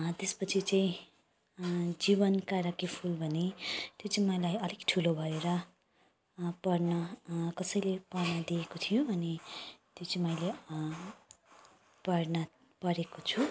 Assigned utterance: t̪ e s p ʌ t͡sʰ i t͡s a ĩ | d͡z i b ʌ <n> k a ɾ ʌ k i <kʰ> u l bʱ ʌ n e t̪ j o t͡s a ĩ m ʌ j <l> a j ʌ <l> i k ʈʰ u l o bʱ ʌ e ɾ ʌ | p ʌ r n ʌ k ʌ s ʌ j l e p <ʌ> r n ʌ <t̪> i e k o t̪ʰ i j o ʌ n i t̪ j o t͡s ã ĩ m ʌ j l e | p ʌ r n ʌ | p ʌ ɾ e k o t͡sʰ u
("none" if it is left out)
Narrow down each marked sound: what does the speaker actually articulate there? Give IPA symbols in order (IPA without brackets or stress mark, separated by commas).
n, pʰ, l, l, ʌ, d̪